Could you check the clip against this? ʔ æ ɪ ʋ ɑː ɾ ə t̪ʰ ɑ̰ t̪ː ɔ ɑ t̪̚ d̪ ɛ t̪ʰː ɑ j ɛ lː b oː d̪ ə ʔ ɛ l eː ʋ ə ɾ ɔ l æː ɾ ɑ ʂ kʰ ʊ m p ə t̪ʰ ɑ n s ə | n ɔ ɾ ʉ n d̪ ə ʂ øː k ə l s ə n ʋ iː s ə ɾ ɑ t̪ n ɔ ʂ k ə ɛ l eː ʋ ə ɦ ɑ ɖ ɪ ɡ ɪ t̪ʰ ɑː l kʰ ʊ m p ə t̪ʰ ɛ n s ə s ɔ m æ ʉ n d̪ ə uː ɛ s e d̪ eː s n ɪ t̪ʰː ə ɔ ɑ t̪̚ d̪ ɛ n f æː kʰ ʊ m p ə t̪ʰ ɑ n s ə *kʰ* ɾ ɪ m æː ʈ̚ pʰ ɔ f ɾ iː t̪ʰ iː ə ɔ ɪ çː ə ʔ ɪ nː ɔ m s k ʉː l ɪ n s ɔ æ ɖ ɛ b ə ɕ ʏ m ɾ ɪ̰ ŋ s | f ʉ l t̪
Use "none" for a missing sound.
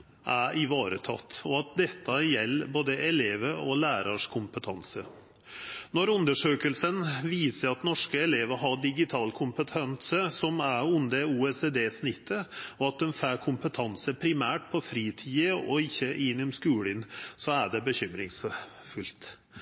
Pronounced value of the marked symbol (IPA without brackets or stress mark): pʰ